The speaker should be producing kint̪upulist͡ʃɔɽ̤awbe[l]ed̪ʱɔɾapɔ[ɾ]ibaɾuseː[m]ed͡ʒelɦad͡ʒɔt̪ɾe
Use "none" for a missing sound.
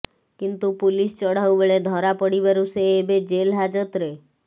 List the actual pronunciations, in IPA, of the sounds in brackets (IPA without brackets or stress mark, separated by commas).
ɭ, ɽ, b